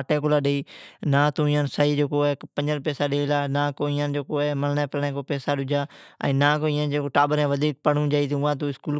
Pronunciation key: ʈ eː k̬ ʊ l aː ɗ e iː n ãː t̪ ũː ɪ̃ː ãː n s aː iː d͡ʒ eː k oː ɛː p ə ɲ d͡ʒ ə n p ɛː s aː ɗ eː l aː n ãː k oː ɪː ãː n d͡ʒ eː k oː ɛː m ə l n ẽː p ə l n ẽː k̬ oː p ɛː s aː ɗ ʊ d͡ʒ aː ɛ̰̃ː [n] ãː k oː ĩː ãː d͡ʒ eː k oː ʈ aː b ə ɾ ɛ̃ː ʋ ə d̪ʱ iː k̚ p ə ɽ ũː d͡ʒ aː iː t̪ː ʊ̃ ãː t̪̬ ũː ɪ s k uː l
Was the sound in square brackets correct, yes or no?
yes